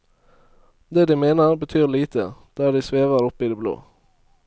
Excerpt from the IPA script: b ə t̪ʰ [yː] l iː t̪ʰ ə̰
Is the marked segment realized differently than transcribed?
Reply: no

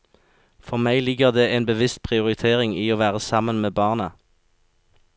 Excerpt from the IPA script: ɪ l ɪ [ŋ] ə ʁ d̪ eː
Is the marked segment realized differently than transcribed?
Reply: yes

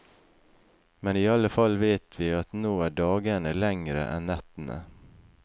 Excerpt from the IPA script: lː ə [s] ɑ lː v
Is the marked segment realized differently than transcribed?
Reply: yes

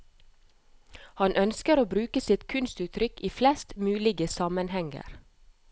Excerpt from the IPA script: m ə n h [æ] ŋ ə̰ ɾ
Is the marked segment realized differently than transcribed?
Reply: yes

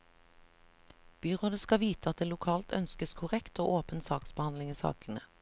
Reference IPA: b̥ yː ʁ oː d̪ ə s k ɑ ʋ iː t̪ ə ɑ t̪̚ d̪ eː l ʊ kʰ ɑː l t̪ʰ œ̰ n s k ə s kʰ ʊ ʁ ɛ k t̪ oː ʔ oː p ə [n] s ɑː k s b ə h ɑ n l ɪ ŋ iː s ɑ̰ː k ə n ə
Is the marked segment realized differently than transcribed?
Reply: no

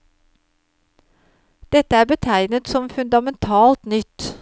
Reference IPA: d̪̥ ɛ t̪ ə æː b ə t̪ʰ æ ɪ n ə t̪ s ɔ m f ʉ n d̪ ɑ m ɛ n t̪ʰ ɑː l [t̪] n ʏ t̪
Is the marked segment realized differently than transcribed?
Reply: no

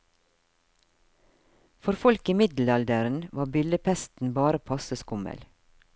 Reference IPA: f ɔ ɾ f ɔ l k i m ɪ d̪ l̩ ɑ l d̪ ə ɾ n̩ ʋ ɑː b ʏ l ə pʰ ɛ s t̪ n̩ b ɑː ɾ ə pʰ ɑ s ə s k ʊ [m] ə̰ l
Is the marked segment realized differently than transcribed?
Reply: no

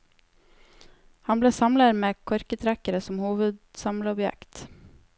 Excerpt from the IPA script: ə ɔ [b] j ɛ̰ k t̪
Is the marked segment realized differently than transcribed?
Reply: no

